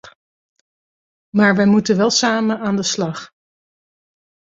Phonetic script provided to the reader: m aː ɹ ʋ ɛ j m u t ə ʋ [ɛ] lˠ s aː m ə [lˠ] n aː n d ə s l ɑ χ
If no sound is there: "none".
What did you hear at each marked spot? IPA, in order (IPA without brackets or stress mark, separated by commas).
ɛ, none